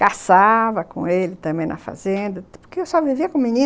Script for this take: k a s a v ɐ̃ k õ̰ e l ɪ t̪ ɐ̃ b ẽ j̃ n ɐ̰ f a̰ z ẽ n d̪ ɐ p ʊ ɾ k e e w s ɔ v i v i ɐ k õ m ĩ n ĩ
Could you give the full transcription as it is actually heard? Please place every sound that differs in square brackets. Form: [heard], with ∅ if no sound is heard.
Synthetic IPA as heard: k a s a v [ɐ] k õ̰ e l ɪ t̪ ɐ̃ b ẽ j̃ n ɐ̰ f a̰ z ẽ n d̪ ɐ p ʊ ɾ k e e w s ɔ v i v i ɐ k õ m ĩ n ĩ